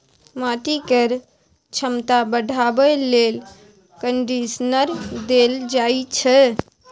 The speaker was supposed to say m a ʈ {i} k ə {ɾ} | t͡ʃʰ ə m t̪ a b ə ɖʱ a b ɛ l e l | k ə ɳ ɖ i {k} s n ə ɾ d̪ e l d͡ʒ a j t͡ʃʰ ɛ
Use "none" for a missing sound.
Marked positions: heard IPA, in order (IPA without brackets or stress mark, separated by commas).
i, ɾ, none